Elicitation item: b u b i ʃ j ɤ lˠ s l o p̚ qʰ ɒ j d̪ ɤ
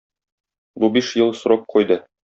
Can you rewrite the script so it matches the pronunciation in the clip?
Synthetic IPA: b u b i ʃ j ɤ lˠ s ɾ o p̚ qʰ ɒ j d̪ ɤ

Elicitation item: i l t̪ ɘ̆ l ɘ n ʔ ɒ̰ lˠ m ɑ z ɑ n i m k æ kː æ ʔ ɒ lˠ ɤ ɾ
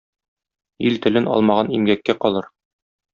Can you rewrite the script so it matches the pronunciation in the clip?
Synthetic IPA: i l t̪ ɘ̆ l ɘ n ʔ ɒ̰ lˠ m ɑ ʁ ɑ n i m ɡ æ kː æ q ɒ lˠ ɤ ɾ

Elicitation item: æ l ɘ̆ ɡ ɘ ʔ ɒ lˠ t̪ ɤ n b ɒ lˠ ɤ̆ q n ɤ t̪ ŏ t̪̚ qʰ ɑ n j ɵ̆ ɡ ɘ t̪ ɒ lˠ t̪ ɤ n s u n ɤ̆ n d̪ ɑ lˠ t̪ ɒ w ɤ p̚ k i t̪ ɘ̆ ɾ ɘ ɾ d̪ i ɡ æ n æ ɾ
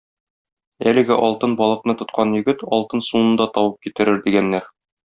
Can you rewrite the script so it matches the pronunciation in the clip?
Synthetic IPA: æ l ɘ̆ ɡ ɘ ʔ ɒ lˠ t̪ ɤ n b ɒ lˠ ɤ̆ q n ɤ t̪ ŏ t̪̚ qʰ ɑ n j ɵ̆ ɡ ɘ t̪ ɒ lˠ t̪ ɤ n s u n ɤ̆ n d̪ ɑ t̪ ɒ w ɤ p̚ k i t̪ ɘ̆ ɾ ɘ ɾ d̪ i ɡ æ nː æ ɾ

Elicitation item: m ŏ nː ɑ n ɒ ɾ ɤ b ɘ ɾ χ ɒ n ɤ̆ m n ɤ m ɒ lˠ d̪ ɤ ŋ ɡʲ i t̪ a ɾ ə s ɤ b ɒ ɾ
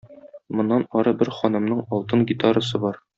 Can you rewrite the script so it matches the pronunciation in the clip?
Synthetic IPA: m ŏ nː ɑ n ɒ ɾ ɤ b ɘ ɾ χ ɒ n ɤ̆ m n ɤ ɴ ɒ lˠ t̪ ɤ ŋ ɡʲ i t̪ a ɾ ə s ɤ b ɒ ɾ

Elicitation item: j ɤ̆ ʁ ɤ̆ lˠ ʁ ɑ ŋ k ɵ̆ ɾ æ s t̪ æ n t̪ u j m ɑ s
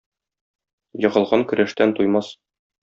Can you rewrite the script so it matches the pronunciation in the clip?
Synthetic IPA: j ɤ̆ ʁ ɤ̆ lˠ ʁ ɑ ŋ k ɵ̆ ɾ æ ʃ t̪ æ n t̪ u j m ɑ s

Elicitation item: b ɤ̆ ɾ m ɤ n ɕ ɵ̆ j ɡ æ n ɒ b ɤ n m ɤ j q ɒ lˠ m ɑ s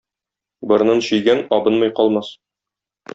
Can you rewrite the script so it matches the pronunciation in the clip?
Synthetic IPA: b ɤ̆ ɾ n ɤ n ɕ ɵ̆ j ɡ æ n ɒ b ɤ n m ɤ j q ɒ lˠ m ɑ s

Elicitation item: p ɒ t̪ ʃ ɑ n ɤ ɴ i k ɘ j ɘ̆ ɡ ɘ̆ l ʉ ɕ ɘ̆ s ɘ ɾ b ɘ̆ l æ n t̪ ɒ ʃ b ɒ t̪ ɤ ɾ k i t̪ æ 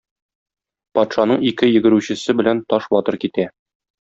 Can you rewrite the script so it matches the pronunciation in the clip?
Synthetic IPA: p ɒ t̪ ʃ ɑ n ɤ ɴ i k ɘ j ɘ̆ ɡ ɘ̆ ɾ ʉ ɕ ɘ̆ s ɘ b ɘ̆ l æ n t̪ ɒ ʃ b ɒ t̪ ɤ ɾ k i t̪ æ

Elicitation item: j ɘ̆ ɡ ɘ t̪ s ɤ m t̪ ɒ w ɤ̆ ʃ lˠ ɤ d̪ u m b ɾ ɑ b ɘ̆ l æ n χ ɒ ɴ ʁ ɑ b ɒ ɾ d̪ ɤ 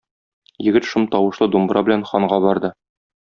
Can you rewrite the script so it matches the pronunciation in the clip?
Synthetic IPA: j ɘ̆ ɡ ɘ t̪ ʃ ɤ m t̪ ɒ w ɤ̆ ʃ lˠ ɤ d̪ u m b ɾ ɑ b ɘ̆ l æ n χ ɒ ɴ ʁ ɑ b ɒ ɾ d̪ ɤ

